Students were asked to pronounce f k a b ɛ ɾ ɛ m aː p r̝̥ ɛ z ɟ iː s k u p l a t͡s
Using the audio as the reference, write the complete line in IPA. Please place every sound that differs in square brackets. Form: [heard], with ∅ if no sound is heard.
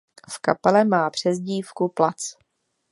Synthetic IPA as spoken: f k a [p] ɛ [l] ɛ m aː p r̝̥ ɛ z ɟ iː [f] k u p l a t͡s